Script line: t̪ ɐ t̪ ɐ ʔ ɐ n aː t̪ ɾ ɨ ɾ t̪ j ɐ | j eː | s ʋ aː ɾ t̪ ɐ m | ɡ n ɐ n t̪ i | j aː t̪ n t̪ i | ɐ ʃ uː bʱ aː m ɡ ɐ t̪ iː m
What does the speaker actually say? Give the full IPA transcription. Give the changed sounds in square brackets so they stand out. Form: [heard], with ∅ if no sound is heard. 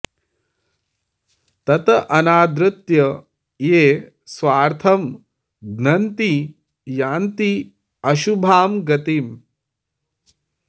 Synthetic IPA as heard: t̪ ɐ t̪ ɐ ʔ ɐ n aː [d̪] ɾ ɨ [∅] t̪ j ɐ | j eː | s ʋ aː ɾ [t̪ʰ] ɐ m | ɡ n ɐ n t̪ i | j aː [∅] n t̪ i | ɐ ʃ [u] bʱ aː m ɡ ɐ t̪ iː m

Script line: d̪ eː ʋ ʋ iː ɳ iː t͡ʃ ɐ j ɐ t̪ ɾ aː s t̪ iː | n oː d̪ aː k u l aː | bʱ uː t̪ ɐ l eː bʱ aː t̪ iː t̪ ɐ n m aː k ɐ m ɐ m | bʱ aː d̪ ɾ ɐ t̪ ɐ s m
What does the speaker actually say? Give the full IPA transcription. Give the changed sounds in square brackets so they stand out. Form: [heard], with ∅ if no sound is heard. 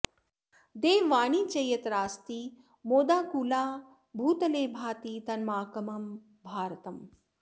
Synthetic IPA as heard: d̪ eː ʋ ʋ [aː] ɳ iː t͡ʃ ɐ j ɐ t̪ ɾ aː s t̪ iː | [m] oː d̪ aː k u l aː | bʱ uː t̪ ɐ l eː bʱ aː t̪ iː t̪ ɐ n m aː k ɐ m ɐ m | bʱ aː [∅] ɾ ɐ t̪ ɐ [∅] m

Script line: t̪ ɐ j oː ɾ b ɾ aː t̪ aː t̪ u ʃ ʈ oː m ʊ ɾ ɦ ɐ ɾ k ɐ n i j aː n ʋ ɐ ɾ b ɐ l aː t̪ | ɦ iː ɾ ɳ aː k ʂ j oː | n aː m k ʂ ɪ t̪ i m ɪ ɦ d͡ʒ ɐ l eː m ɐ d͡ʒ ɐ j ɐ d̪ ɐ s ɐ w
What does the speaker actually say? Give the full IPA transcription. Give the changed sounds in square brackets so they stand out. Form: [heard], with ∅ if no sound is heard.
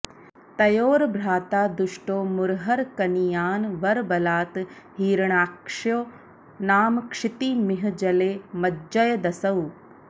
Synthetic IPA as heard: t̪ ɐ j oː ɾ b ɾ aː t̪ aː [d̪] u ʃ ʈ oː m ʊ ɾ ɦ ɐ ɾ k ɐ n i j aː n ʋ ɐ ɾ b ɐ l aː t̪ | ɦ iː ɾ ɳ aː k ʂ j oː | n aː m k ʂ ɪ t̪ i m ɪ ɦ d͡ʒ ɐ l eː m ɐ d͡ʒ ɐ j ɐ d̪ ɐ s ɐ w

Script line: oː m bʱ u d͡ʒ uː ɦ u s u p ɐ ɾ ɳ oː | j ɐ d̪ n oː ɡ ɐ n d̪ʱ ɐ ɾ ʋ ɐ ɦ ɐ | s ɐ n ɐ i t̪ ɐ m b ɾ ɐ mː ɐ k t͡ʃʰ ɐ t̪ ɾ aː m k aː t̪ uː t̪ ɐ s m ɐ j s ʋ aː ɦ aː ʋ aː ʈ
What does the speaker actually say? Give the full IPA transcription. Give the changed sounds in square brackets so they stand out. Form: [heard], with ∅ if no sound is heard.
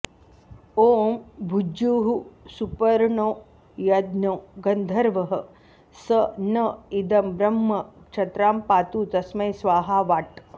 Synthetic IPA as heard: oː m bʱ u d͡ʒ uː ɦ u s u p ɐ ɾ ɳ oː | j ɐ d̪ n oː ɡ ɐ n d̪ʱ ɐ ɾ ʋ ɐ ɦ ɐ | s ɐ n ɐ i [d̪] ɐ m b ɾ ɐ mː ɐ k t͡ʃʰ ɐ t̪ ɾ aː m [p] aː t̪ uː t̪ ɐ s m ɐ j s ʋ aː ɦ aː ʋ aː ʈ

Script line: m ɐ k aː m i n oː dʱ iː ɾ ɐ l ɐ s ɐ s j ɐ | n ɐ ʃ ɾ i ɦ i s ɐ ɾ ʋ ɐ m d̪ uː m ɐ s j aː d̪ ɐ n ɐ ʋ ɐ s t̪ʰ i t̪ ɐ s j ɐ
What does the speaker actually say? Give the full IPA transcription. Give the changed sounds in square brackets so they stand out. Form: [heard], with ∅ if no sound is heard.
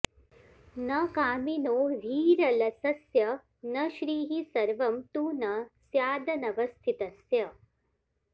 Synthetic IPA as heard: [n] ɐ k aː m i n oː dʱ iː ɾ ɐ l ɐ s ɐ s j ɐ | n ɐ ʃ ɾ [iː] ɦ i s ɐ ɾ ʋ ɐ m [t̪] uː [n] ɐ s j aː d̪ ɐ n ɐ ʋ ɐ s t̪ʰ i t̪ ɐ s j ɐ

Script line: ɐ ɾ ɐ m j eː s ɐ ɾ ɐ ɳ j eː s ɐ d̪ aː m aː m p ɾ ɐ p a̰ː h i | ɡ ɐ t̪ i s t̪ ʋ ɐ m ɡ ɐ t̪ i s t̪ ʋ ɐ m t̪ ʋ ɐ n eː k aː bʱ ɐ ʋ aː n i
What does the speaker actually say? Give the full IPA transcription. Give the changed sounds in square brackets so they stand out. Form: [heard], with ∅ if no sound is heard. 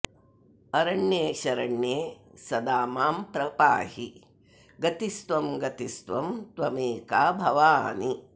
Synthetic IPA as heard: ɐ ɾ ɐ [ɳ] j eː [ʃ] ɐ ɾ ɐ ɳ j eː s ɐ d̪ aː m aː m p ɾ ɐ p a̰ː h i | ɡ ɐ t̪ i s t̪ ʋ ɐ m ɡ ɐ t̪ i s t̪ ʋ ɐ m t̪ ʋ ɐ [m] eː k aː bʱ ɐ ʋ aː n i

